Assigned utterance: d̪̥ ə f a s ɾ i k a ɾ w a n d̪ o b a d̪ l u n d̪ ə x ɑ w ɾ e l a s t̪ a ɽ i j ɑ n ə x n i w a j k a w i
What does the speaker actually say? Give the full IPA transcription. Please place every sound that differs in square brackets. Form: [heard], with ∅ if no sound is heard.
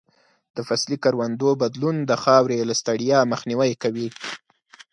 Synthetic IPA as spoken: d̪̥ ə f a s [l] i k a ɾ w a n d̪ o b a d̪ l u n d̪ ə x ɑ w ɾ e l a s t̪ a ɽ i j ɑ [m] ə x n i w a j k a w i